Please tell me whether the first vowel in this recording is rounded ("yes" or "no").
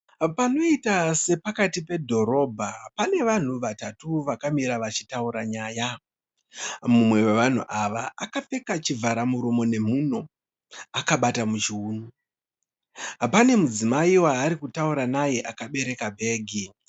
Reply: no